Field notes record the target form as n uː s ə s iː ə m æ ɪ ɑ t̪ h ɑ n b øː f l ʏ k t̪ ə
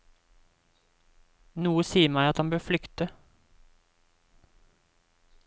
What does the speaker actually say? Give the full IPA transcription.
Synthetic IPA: n uː ə s iː ə m æ ɪ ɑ t̪ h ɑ n b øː f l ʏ k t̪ ə